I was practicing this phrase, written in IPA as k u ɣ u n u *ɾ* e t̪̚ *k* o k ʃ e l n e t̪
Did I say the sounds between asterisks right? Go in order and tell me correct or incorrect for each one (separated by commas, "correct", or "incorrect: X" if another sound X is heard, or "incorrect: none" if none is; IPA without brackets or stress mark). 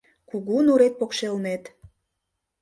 correct, incorrect: p